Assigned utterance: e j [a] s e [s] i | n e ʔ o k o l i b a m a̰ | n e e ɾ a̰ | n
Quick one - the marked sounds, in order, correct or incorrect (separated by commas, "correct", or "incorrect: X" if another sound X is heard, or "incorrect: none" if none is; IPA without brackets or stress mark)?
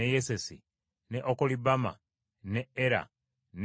incorrect: e, correct